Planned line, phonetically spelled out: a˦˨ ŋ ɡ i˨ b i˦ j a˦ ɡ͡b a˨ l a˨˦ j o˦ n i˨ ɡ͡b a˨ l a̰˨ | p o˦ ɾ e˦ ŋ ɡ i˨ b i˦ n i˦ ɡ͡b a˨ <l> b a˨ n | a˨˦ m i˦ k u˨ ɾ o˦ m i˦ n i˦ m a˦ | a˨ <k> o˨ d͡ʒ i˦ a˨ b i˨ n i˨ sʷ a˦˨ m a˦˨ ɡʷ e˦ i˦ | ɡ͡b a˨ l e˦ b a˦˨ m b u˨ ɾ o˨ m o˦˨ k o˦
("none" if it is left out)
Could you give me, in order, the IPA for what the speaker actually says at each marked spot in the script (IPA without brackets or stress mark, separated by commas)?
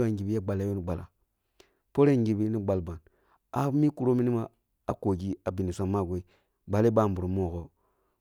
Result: l, k